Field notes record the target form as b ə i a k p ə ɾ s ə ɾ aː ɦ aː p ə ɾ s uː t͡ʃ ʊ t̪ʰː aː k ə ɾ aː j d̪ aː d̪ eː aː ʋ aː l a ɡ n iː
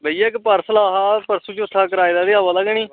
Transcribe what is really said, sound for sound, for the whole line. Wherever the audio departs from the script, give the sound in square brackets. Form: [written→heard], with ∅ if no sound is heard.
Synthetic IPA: b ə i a k p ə ɾ s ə [ɾ→l] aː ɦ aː p ə ɾ s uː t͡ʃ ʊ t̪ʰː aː k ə ɾ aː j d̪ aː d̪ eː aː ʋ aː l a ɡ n iː